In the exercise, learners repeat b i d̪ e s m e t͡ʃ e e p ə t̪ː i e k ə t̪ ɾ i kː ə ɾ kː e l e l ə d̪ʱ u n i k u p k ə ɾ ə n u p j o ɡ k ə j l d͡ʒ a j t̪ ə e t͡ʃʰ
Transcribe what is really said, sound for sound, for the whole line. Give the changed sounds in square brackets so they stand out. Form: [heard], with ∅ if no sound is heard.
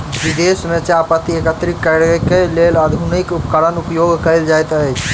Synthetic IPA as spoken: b i d̪ e s m e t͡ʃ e [a] p ə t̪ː i e k ə t̪ ɾ i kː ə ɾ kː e l e l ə d̪ʱ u n i k u p k ə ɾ ə n u p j o ɡ k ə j l d͡ʒ a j t̪ ə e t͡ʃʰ

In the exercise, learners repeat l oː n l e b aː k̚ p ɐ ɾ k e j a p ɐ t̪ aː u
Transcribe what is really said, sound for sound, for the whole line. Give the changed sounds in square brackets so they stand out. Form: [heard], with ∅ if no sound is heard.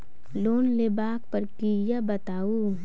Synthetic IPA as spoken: l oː n l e b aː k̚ p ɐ ɾ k [i] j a [b] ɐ t̪ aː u

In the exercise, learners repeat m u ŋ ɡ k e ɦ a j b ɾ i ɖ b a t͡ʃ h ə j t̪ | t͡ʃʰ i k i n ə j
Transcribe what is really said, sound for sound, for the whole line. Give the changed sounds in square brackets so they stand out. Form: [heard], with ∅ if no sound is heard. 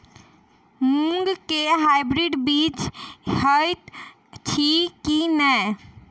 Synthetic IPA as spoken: m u ŋ ɡ k e ɦ a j b ɾ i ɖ b [i] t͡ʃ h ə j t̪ | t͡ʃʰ i k i n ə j

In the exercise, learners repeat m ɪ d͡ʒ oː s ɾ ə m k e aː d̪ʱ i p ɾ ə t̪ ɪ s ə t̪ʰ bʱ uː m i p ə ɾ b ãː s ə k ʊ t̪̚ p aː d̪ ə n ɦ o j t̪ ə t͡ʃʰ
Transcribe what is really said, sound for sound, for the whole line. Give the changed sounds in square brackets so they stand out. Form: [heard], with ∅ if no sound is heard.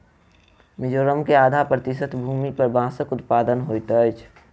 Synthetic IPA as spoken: m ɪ d͡ʒ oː [∅] ɾ ə m k e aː d̪ʱ [a] p ɾ ə t̪ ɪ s ə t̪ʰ bʱ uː m i p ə ɾ b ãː s ə k ʊ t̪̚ p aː d̪ ə n ɦ o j t̪ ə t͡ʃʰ

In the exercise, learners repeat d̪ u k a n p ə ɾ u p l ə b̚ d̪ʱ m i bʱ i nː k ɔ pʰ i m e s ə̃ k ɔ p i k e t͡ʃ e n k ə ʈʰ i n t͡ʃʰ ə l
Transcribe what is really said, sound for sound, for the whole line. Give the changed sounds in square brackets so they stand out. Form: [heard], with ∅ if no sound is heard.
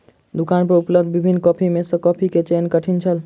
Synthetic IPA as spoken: d̪ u k a n p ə ɾ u p l ə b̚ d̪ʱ [b] i bʱ i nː k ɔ pʰ i m e s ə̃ k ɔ [pʰ] i k e t͡ʃ e n k ə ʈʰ i n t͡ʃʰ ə l

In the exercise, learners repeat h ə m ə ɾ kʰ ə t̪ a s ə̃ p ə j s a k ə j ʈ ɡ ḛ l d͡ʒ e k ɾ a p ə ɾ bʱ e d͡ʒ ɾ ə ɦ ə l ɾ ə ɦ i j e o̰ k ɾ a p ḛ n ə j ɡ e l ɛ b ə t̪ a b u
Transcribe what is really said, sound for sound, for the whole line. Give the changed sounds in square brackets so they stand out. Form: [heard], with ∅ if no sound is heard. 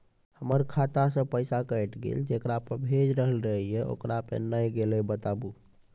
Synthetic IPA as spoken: h ə m ə ɾ kʰ [a] t̪ a s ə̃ p ə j s a k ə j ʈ ɡ ḛ l d͡ʒ e k ɾ a p ə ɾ bʱ e d͡ʒ ɾ ə ɦ ə l ɾ ə ɦ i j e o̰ k ɾ a p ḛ n ə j ɡ e l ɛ b ə t̪ a b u

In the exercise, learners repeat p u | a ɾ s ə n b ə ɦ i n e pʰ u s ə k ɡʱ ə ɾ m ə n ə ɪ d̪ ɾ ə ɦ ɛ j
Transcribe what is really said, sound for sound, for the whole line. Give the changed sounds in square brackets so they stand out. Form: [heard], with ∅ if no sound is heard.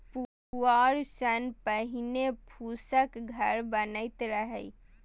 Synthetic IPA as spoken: p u | a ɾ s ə n [p] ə ɦ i n e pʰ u s ə k ɡʱ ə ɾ [b] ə n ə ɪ [t̪] ɾ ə ɦ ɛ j

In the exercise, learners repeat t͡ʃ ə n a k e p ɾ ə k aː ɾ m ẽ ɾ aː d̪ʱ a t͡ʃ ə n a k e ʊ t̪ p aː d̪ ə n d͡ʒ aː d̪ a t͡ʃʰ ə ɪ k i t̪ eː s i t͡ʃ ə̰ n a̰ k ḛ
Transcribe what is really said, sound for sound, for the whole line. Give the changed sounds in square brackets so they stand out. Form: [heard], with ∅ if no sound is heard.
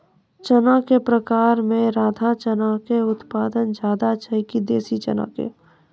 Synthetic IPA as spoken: t͡ʃ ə n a k e p ɾ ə k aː ɾ m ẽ ɾ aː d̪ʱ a t͡ʃ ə n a k e ʊ t̪ p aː d̪ ə n d͡ʒ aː d̪ a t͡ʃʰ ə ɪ k i [d̪] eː s i t͡ʃ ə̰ n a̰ k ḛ

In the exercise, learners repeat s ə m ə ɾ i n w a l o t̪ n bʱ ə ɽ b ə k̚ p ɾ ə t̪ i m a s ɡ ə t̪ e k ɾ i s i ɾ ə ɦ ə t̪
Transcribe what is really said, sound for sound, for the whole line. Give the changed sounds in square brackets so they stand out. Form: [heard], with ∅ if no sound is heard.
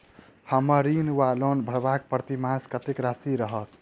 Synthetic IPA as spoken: [h] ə m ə ɾ i n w a l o [∅] n bʱ ə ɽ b [a] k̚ p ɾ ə t̪ i m a s [k] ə t̪ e k ɾ [a] s i ɾ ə ɦ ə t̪

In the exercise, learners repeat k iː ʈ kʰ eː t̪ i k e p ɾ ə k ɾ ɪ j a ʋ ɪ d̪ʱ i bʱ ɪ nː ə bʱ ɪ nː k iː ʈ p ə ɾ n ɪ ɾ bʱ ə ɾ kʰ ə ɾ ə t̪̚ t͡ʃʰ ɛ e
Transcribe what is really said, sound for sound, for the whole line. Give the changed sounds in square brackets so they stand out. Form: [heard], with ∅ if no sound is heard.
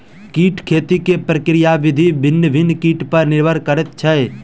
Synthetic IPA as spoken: k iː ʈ kʰ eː t̪ i k e p ɾ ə k ɾ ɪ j a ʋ ɪ d̪ʱ i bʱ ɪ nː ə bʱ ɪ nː k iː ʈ p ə ɾ n ɪ ɾ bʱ ə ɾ [k] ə ɾ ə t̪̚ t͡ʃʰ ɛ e

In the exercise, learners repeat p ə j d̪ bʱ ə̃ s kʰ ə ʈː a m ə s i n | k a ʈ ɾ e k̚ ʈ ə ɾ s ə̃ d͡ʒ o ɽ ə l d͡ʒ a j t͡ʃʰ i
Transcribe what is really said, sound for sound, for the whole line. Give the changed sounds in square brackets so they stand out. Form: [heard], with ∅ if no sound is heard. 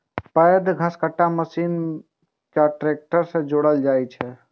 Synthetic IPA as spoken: p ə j d̪ [ɡʱ] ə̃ s [k] ə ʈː a m ə s i n | k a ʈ ɾ e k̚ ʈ ə ɾ s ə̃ d͡ʒ o ɽ ə l d͡ʒ a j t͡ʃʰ [ɛ]

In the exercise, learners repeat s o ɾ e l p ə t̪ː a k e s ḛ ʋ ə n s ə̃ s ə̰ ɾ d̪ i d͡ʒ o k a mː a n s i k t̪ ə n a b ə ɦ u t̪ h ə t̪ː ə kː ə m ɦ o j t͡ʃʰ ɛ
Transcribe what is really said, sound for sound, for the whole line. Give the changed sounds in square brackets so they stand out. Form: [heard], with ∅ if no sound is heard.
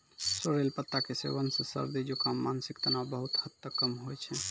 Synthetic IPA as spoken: s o ɾ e l p ə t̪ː a k e s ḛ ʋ ə n s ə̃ s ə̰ ɾ d̪ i d͡ʒ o k a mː a n s i k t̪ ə n a b ə ɦ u t̪ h ə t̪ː ə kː ə m ɦ o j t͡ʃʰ ɛ

